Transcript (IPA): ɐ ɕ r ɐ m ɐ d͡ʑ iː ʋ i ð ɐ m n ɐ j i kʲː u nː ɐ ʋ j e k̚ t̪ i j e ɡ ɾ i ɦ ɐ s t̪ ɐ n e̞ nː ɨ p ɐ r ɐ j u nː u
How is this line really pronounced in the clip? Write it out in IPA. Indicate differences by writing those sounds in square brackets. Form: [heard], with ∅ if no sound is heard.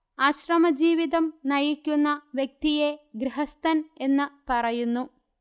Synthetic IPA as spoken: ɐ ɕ r ɐ m ɐ d͡ʑ iː ʋ i ð ɐ m n ɐ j i kʲː u nː ɐ ʋ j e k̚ t̪ i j e ɡ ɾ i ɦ ɐ s t̪ ɐ n e̞ nː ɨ p ɐ r ɐ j u nː u